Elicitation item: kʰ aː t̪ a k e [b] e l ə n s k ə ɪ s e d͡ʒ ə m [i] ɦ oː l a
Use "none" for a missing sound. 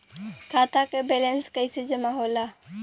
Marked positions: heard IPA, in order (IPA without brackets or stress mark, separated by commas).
b, a